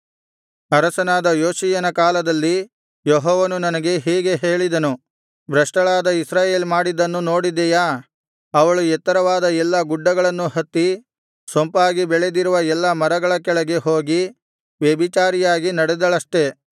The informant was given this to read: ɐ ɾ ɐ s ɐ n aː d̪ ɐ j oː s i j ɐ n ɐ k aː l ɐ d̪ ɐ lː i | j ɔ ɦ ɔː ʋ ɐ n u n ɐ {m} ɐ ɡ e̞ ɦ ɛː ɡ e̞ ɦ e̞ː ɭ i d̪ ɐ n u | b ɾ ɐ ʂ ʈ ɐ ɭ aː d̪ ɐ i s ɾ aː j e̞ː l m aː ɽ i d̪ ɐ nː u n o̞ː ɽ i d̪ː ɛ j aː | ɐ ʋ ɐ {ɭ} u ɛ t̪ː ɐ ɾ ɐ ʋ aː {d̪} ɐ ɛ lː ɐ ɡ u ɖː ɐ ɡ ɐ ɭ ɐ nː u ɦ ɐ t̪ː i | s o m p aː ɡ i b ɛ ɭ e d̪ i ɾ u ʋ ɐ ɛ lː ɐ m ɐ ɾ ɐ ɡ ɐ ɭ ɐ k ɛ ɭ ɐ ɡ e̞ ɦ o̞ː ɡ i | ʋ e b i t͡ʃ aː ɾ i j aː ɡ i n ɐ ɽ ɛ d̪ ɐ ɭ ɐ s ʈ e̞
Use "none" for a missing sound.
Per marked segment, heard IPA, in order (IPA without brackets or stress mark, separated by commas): n, ɭ, d̪